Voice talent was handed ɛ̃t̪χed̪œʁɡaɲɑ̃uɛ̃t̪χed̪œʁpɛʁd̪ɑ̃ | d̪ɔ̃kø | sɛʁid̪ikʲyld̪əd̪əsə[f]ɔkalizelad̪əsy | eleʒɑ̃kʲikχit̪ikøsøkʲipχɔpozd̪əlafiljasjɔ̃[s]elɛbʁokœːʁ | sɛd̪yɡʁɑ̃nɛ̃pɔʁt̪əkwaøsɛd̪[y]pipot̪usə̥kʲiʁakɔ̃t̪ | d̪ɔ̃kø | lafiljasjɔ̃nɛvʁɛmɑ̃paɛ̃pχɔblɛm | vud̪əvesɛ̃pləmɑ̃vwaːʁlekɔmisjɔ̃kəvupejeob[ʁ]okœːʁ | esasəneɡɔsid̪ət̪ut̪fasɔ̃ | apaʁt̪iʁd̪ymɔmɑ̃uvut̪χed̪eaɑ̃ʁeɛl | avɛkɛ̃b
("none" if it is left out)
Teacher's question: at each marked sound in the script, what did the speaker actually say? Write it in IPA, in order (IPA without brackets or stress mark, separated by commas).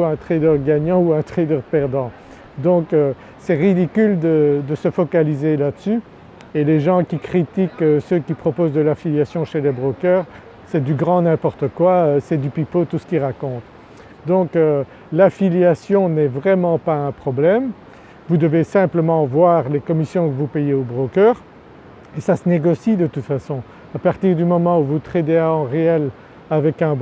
f, ʃ, y, ʁ